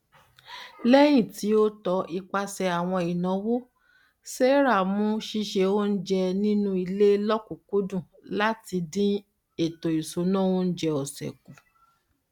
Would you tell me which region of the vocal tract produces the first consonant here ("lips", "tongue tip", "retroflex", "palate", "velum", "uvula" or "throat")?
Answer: tongue tip